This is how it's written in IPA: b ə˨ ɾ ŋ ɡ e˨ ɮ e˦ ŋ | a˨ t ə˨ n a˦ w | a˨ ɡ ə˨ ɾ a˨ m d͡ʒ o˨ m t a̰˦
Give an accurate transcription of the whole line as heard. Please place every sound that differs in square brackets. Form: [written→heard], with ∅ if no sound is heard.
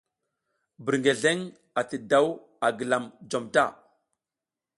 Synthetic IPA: b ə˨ ɾ ŋ ɡ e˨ ɮ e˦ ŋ | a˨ t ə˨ [n→d] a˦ w | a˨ ɡ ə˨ [ɾ→l] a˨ m d͡ʒ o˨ m t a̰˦

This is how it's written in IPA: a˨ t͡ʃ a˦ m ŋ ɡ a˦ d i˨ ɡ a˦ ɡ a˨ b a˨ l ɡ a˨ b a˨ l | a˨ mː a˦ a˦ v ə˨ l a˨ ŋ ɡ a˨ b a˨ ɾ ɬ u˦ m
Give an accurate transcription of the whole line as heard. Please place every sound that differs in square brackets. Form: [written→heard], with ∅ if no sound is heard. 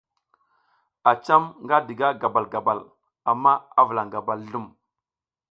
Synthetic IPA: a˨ t͡ʃ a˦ m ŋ ɡ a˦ d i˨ ɡ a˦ ɡ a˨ b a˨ l ɡ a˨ b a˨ l | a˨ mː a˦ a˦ v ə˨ l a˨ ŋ ɡ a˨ b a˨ [ɾ→l] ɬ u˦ m

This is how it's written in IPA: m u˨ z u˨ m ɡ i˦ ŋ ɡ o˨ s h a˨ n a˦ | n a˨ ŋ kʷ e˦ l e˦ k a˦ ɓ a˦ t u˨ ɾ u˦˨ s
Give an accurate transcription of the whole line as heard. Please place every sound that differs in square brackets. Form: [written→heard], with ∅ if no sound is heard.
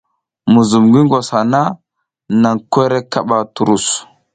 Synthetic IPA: m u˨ z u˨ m ɡ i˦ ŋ ɡ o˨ s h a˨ n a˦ | n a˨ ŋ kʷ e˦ [l→ɾ] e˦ k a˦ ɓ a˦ t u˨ ɾ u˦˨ s

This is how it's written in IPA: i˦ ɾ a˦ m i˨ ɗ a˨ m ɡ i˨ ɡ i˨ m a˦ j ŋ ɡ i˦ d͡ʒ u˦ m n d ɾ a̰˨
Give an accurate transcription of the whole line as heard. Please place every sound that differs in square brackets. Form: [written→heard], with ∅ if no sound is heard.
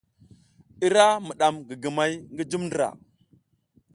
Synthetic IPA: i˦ ɾ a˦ m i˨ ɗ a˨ m ɡ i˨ ɡ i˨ m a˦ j ŋ ɡ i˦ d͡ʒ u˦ m n d ɾ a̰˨

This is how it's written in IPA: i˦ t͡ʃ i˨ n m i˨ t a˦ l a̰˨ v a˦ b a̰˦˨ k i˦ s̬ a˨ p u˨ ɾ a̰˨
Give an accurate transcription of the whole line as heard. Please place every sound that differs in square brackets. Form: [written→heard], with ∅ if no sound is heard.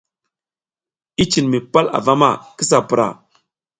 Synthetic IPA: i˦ t͡ʃ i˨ n m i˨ [t→p] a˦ l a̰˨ v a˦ [b→m] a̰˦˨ k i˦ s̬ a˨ p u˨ ɾ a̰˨

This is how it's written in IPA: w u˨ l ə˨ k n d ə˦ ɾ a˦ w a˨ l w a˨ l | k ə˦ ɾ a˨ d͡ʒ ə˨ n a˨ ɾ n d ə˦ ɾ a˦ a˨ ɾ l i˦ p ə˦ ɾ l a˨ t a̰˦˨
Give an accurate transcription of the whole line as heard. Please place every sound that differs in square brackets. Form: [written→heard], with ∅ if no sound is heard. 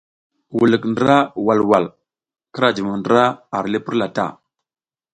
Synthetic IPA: w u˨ l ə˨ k n d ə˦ ɾ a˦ w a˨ l w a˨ l | k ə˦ ɾ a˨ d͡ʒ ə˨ [n→m] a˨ [ɾ→∅] n d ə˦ ɾ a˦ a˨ ɾ l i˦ p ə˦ ɾ l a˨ t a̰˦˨

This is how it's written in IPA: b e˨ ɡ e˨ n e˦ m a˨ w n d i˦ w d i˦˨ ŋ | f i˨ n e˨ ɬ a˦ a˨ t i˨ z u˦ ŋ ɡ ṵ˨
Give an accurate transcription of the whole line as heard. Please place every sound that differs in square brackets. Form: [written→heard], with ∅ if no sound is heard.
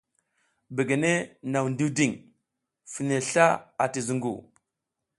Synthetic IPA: b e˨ ɡ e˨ n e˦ [m→n] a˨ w n d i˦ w d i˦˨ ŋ | f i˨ n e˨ ɬ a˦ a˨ t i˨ z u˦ ŋ ɡ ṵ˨

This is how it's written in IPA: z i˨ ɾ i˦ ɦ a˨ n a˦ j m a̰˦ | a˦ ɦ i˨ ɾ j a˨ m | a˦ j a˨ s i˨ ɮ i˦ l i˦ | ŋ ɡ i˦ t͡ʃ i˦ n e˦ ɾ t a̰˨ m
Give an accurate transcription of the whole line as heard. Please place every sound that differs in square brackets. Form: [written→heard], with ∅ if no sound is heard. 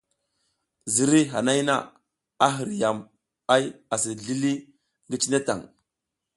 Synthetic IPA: z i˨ ɾ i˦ ɦ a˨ n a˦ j [m→n] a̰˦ | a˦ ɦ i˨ ɾ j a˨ m | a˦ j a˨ s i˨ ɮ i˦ l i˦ | ŋ ɡ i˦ t͡ʃ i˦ n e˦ [ɾ→∅] t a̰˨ [m→ŋ]

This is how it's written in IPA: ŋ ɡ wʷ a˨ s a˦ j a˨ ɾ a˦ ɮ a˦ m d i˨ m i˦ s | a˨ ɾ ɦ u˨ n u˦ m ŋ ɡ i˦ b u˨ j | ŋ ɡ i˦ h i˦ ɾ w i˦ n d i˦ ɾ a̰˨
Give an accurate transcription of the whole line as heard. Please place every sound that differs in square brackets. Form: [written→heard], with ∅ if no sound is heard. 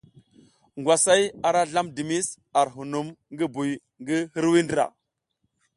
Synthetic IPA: ŋ ɡ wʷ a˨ s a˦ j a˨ ɾ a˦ ɮ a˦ m d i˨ m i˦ s | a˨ ɾ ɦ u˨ n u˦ m ŋ ɡ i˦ b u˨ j | ŋ ɡ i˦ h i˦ ɾ w i˦ n d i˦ ɾ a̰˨

